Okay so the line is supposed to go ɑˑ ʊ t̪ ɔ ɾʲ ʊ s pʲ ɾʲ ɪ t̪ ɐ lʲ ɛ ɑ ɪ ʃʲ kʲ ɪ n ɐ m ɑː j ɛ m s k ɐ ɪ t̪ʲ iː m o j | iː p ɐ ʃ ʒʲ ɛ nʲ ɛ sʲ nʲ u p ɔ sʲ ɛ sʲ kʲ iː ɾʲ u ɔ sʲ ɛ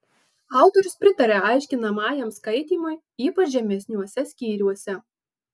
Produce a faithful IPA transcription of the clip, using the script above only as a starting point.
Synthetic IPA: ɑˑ ʊ t̪ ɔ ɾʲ ʊ s pʲ ɾʲ ɪ t̪ ɐ ɾʲ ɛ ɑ ɪ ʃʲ kʲ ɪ n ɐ m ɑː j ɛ m s k ɐ ɪ t̪ʲ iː m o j | iː p ɐ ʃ ʒʲ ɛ mʲ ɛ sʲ nʲ u ɔ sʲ ɛ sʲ kʲ iː ɾʲ u ɔ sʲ ɛ